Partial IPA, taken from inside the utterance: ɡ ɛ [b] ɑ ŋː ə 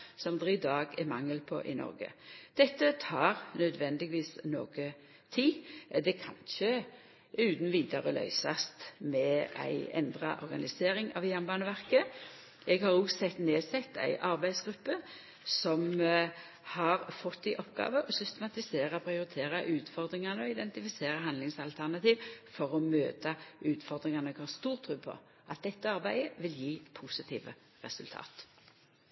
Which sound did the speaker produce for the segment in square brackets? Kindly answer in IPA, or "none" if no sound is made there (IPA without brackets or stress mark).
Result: m